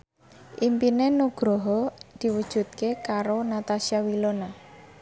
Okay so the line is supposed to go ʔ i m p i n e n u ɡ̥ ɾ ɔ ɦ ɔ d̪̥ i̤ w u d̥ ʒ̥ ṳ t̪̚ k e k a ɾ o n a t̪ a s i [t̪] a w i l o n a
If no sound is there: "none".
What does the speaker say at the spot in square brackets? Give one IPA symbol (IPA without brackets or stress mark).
none